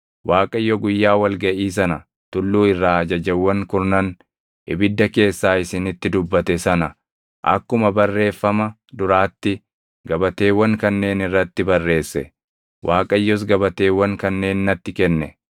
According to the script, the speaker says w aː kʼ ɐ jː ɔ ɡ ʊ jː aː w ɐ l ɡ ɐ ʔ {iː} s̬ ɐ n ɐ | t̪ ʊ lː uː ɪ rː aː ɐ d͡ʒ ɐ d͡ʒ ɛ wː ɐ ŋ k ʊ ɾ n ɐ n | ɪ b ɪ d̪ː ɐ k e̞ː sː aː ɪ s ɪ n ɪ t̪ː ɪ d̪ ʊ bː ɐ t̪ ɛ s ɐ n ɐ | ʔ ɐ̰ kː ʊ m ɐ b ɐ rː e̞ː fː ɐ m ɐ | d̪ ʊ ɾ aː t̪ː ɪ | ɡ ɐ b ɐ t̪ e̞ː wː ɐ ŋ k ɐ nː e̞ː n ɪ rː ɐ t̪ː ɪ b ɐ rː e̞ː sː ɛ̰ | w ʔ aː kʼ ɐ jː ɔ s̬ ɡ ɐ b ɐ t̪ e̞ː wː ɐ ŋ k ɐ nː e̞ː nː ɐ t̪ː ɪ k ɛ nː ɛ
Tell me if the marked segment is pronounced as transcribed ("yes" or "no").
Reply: yes